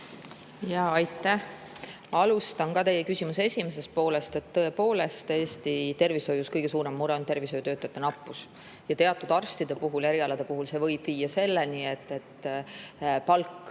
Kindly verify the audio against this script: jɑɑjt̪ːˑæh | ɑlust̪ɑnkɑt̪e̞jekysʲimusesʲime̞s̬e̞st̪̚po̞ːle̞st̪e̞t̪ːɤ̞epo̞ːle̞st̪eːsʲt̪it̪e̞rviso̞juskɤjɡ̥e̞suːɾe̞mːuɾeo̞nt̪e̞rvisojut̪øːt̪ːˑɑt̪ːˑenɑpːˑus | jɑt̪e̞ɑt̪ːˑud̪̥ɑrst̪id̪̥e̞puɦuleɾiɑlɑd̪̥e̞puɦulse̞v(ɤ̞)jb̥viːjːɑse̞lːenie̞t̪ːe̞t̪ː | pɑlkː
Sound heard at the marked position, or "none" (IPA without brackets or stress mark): ɤ̞